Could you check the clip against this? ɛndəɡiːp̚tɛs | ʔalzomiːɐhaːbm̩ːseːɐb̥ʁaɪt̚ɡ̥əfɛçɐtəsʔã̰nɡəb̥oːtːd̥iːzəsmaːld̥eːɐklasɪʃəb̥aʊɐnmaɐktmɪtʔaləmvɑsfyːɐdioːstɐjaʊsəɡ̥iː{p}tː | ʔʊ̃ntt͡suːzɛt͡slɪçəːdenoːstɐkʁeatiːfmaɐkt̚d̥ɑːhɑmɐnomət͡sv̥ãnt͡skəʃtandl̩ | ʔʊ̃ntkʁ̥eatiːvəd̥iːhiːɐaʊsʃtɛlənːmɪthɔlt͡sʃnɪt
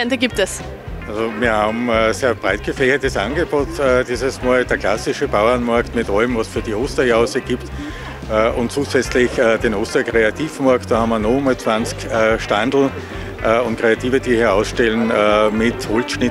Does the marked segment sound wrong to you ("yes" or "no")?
no